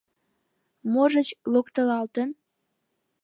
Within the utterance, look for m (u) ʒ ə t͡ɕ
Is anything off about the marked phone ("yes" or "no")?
yes